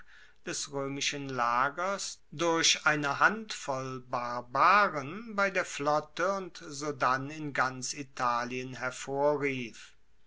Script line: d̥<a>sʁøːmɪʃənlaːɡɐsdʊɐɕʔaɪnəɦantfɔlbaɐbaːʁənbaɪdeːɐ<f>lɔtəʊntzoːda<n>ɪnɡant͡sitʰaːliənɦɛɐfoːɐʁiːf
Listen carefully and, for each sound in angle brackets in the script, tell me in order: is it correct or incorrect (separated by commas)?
incorrect, correct, correct